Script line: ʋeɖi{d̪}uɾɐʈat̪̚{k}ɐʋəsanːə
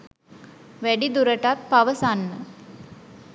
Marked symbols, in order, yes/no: yes, no

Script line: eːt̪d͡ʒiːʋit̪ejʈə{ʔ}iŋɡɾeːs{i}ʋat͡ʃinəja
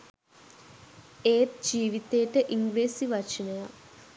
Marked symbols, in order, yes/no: yes, yes

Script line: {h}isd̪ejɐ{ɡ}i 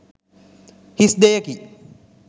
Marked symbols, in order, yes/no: yes, no

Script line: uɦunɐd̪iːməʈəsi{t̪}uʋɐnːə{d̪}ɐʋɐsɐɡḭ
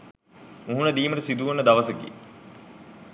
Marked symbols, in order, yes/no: no, yes

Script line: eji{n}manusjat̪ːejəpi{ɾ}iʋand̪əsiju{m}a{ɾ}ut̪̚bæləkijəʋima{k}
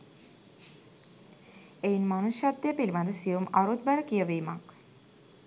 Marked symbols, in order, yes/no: yes, no, yes, yes, yes

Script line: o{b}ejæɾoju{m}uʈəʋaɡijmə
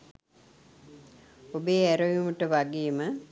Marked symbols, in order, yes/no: yes, yes

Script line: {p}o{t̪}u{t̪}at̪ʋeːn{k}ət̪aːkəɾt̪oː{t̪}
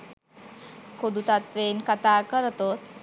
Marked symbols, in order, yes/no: no, no, yes, yes, yes

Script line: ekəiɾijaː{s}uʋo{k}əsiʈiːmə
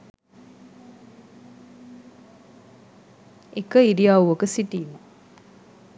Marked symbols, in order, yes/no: no, yes

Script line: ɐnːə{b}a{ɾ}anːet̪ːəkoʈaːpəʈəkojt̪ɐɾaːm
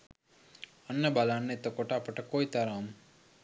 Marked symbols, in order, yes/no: yes, no

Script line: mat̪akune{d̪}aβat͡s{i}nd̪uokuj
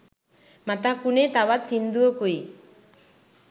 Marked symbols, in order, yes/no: no, yes

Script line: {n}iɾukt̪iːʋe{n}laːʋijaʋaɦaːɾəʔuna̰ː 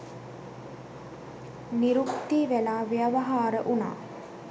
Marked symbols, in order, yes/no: yes, no

